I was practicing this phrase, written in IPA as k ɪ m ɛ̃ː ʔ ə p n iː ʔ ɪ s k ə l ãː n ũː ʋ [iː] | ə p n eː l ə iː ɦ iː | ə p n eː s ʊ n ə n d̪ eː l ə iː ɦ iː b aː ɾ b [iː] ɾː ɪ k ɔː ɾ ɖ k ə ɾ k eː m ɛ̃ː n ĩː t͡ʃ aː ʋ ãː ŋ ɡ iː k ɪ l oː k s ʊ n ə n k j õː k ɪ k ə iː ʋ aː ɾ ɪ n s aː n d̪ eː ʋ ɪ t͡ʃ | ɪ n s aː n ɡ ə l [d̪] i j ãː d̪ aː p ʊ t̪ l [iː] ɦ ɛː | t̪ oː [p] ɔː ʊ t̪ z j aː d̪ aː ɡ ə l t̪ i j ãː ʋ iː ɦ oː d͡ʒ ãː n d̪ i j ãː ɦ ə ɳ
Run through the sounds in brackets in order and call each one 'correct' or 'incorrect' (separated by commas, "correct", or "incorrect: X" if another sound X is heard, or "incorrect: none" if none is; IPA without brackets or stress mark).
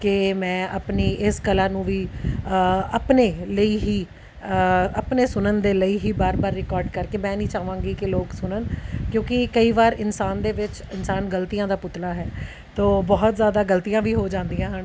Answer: correct, incorrect: aː, incorrect: t̪, incorrect: aː, incorrect: b